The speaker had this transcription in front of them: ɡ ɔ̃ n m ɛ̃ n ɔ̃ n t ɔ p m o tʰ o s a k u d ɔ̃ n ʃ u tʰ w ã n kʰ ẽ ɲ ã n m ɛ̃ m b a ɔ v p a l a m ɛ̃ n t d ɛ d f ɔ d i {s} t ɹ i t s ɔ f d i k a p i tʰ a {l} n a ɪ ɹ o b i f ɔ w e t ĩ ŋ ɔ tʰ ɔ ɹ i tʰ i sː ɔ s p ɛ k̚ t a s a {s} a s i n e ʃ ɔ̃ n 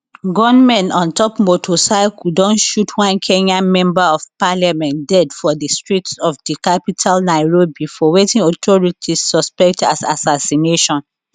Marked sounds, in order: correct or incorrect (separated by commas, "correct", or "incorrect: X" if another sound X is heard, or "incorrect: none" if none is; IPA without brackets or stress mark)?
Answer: correct, correct, correct